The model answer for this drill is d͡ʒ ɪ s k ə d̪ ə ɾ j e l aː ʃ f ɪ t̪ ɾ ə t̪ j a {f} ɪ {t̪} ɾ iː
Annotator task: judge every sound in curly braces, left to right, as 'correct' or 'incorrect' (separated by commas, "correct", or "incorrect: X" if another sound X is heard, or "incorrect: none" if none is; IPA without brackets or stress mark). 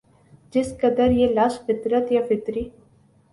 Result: correct, correct